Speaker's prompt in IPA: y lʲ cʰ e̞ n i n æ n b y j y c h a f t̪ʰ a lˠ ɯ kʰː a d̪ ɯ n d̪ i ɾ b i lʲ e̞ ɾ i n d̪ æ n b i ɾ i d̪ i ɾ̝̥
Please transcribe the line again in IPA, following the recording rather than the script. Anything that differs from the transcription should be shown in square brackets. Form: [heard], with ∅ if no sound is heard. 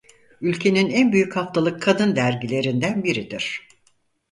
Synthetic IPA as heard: y lʲ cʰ e̞ n i n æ n b y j y c h a f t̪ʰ a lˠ ɯ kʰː a d̪ ɯ n d̪ [æ] ɾ [ɟ] i lʲ e̞ ɾ i n d̪ æ n b i ɾ i d̪ i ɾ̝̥